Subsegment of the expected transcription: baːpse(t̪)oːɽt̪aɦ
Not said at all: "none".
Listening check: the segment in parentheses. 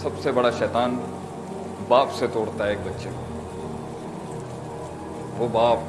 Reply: t̪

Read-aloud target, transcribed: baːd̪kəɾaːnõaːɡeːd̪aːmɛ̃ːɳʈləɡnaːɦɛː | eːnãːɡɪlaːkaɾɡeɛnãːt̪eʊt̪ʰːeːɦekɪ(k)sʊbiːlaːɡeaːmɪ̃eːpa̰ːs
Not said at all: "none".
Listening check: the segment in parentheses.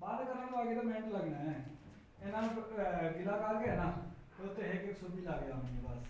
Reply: k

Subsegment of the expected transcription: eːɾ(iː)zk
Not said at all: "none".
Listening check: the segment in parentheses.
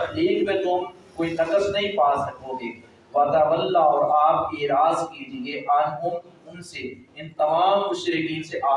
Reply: aː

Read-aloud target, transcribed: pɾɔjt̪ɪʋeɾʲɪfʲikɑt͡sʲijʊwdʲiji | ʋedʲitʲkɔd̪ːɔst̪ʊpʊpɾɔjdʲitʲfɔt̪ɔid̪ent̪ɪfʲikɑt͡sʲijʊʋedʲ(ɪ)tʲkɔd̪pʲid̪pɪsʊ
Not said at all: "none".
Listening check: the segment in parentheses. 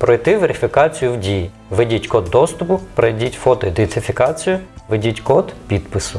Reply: i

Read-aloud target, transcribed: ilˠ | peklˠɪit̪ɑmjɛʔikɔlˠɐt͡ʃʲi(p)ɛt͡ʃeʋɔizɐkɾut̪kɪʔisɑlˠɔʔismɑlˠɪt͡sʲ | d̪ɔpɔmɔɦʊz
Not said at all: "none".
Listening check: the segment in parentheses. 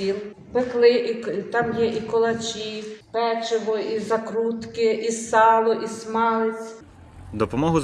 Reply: p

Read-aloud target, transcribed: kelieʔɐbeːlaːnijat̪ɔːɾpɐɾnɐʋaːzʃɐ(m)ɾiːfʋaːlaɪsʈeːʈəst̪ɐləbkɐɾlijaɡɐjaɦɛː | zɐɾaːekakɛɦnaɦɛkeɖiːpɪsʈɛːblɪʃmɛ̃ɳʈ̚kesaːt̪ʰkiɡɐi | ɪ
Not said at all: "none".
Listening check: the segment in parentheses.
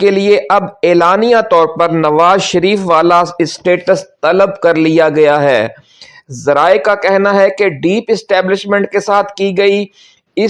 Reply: none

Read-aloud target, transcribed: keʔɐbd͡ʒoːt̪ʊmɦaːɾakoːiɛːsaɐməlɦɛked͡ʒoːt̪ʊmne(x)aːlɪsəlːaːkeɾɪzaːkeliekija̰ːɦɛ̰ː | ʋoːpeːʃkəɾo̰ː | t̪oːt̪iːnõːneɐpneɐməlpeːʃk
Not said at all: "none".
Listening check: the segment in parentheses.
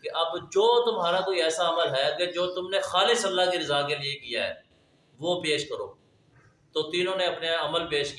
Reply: x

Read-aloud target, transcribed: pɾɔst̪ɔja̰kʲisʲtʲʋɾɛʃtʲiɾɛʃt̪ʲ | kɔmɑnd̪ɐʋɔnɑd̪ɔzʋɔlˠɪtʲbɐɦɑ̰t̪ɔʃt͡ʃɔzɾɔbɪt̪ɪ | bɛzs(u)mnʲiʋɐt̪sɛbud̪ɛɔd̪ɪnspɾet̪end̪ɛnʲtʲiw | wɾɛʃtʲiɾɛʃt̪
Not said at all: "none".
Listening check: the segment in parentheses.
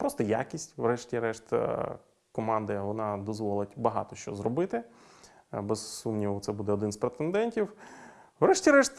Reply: u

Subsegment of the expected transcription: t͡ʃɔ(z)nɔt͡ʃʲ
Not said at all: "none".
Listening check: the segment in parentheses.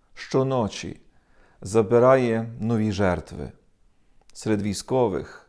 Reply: none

